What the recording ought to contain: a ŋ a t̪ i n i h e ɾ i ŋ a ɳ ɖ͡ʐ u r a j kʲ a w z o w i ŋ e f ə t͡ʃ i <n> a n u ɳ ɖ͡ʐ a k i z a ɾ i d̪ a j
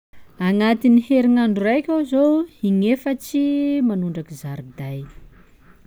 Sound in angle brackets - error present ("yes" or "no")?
yes